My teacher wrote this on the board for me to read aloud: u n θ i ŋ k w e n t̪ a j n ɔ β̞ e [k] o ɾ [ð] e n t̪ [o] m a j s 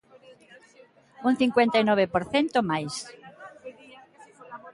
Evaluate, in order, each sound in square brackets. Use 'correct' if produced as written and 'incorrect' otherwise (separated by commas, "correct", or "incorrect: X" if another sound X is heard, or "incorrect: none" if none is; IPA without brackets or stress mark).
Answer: incorrect: p, incorrect: θ, correct